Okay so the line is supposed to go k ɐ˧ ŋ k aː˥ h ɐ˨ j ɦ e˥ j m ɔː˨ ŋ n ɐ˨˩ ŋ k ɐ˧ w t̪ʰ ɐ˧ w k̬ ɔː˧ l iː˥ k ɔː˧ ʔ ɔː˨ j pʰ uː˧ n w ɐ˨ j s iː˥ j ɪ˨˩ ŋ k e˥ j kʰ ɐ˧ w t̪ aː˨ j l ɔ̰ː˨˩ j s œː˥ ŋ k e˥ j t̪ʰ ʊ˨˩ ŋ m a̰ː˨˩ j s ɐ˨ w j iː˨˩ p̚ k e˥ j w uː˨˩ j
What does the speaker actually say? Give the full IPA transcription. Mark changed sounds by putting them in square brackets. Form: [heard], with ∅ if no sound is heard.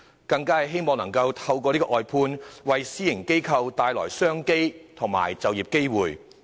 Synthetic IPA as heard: k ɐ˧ ŋ k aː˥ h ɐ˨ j ɦ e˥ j m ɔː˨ ŋ n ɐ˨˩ ŋ k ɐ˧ w t̪ʰ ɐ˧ w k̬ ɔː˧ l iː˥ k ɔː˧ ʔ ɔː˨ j pʰ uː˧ n w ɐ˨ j s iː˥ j ɪ˨˩ ŋ k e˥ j kʰ ɐ˧ w t̪ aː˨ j l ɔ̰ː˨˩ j s œː˥ ŋ k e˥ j t̪ʰ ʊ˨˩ ŋ m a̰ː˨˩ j [t͡s] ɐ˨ w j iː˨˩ p̚ k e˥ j w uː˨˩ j